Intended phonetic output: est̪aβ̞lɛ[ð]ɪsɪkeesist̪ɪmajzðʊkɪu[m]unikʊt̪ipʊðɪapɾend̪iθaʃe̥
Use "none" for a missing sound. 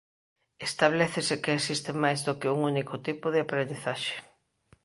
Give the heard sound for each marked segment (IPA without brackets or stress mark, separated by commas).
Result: θ, ŋ